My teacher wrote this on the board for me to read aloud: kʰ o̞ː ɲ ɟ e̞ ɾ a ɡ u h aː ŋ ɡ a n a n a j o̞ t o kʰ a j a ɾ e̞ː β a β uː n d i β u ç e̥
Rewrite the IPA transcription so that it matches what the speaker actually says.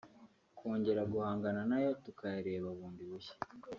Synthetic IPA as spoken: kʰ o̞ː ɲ ɟ e̞ ɾ a ɡ u h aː ŋ ɡ a n a n a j o̞ t u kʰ a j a ɾ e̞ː β a β uː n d i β u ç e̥

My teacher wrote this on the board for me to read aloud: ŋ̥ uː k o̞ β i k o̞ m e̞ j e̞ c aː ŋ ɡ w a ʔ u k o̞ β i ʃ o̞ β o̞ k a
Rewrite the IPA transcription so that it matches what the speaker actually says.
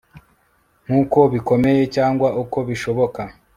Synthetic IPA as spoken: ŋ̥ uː k o̞ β i k o̞ m e̞ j e̞ c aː ŋ ɡ w a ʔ u k o̞ β i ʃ o̞ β o̞ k a

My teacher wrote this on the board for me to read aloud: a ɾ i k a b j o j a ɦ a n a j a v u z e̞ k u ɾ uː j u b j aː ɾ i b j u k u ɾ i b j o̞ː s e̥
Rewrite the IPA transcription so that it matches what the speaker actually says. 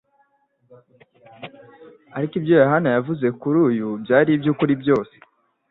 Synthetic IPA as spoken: a ɾ i k i b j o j a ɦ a n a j a v u z e̞ k u ɾ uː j u b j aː ɾ i b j u k u ɾ i b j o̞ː s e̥

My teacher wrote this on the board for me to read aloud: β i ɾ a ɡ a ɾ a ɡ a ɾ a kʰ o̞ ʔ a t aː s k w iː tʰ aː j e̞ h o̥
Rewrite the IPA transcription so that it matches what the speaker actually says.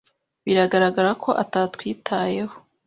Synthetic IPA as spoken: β i ɾ a ɡ a ɾ a ɡ a ɾ a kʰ o̞ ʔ a t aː t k w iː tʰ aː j e̞ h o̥

